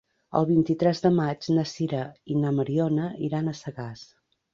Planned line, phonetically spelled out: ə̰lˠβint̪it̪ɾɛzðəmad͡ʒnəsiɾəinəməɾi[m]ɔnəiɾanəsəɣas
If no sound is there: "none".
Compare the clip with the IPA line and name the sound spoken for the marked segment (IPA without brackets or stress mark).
none